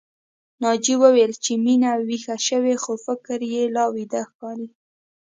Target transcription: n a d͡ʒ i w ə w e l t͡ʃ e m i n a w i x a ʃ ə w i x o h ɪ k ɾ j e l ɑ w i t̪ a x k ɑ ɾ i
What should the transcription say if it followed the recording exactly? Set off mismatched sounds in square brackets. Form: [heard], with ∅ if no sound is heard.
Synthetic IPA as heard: n [ɑ] d͡ʒ i w ə w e l t͡ʃ e m i n a w i x a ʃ ə w [e] x o [f] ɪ k ɾ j e l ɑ w i [d̪] a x k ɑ ɾ i